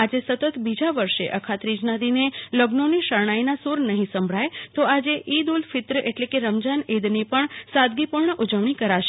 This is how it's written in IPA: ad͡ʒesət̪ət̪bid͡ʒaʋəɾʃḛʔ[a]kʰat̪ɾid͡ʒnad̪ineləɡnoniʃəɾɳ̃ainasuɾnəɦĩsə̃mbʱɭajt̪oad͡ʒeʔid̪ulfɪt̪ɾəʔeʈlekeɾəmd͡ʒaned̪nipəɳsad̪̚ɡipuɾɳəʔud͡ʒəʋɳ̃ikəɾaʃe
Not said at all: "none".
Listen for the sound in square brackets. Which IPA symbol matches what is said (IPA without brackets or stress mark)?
ə